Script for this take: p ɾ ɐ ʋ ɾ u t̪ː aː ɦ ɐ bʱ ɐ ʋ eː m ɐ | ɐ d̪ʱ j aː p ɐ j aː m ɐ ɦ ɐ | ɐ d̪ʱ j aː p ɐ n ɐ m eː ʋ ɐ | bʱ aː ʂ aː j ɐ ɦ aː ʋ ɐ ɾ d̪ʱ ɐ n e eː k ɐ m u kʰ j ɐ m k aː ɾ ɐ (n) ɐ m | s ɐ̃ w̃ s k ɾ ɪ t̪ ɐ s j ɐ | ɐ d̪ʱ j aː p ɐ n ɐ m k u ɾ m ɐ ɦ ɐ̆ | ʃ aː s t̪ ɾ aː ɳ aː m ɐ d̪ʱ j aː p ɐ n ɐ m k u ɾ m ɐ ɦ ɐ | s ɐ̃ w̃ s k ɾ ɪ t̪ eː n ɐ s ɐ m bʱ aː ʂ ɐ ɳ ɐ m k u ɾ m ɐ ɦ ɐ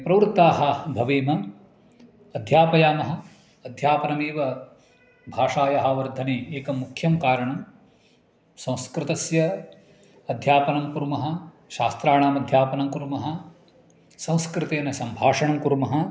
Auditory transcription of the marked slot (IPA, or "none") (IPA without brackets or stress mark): ɳ